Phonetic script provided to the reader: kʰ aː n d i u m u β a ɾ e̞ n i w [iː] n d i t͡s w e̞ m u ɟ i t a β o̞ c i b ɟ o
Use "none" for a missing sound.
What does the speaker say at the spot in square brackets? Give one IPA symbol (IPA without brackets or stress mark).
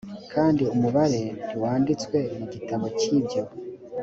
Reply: aː